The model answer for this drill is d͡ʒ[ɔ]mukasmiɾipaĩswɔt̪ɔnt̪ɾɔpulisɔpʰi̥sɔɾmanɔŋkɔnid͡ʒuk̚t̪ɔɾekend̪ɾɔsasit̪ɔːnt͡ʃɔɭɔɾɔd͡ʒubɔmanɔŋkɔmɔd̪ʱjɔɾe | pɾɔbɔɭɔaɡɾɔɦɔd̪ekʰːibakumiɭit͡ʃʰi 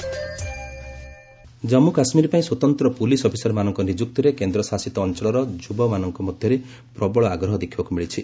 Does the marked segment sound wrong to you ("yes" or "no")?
no